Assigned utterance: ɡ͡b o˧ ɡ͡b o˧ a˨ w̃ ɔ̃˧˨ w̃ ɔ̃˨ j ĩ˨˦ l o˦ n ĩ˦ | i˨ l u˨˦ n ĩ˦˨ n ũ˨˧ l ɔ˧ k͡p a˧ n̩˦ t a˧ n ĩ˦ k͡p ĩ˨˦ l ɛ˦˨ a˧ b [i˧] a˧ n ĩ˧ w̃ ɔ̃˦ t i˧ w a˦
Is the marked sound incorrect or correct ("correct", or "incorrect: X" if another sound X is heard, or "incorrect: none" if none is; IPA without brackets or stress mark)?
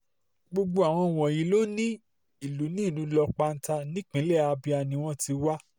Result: correct